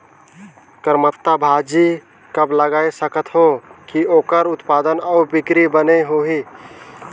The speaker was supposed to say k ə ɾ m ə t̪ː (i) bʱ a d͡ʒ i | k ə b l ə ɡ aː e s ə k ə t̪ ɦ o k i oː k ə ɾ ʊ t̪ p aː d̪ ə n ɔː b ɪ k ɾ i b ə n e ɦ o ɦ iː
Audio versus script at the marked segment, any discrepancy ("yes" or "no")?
yes